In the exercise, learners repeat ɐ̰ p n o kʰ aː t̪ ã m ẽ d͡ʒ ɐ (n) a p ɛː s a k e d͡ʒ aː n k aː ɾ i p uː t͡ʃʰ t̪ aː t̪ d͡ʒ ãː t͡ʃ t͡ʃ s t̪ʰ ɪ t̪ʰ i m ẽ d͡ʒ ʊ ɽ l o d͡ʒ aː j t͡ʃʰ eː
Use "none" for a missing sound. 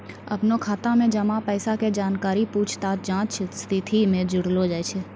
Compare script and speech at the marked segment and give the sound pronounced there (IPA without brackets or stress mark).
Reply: m